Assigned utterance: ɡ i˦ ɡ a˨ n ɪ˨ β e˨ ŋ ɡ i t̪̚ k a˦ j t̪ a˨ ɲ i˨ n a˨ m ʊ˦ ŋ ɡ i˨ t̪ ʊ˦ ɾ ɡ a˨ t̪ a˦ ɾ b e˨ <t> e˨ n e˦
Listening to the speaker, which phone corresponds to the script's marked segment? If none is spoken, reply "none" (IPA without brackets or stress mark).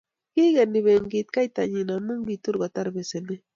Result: s